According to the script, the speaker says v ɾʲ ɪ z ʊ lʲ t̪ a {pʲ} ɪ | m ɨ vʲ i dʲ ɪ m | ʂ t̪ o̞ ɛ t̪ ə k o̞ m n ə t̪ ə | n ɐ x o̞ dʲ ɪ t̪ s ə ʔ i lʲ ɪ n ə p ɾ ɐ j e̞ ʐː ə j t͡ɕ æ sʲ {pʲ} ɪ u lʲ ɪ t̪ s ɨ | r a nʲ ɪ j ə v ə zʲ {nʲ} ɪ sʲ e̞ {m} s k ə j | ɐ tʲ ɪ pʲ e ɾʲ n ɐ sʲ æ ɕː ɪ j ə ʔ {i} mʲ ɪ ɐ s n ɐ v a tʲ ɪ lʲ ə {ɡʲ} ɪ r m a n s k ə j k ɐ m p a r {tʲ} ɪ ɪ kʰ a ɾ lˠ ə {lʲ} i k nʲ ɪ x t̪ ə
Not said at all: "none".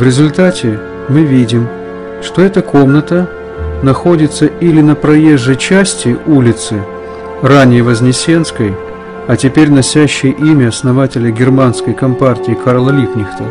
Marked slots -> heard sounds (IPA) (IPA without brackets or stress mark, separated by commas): tʲ, tʲ, nʲ, n, i, ɡʲ, tʲ, lʲ